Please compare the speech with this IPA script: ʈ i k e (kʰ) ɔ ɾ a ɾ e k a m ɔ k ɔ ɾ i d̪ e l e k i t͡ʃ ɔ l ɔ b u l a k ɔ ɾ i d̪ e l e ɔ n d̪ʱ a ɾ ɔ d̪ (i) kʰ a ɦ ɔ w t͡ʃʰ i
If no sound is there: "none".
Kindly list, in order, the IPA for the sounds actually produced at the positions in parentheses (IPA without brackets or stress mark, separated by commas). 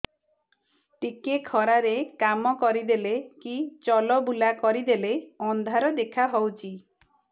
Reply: kʰ, e